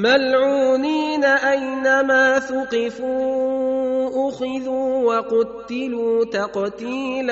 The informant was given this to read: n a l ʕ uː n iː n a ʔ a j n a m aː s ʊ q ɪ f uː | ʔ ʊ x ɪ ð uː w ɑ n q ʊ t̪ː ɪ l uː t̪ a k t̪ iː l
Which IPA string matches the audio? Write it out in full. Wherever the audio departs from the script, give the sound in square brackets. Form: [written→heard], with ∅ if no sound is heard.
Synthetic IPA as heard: [n→m] a l ʕ uː n iː n a ʔ a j n a m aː [s→θ] ʊ q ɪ f uː | ʔ ʊ x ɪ ð uː w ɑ [n→∅] q ʊ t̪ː ɪ l uː t̪ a [k→q] t̪ iː l